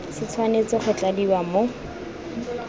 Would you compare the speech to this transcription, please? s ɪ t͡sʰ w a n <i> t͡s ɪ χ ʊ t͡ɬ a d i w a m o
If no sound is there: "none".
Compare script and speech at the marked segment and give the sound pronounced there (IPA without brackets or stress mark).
e